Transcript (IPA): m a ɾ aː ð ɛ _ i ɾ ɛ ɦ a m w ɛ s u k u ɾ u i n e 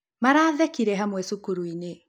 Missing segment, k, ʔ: k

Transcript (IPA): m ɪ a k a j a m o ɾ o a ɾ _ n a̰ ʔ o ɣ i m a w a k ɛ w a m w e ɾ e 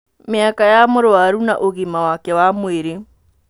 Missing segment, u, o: u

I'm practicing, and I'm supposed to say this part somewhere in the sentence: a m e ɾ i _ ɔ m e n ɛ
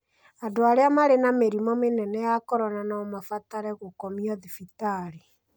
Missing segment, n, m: m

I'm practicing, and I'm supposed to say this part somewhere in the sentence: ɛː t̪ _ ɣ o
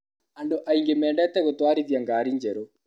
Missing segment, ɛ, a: ɛ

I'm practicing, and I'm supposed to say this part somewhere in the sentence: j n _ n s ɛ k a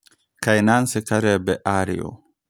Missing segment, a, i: a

